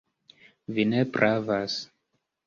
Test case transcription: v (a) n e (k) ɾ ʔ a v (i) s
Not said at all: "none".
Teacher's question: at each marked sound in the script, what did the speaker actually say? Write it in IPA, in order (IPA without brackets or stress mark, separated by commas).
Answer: i, p, a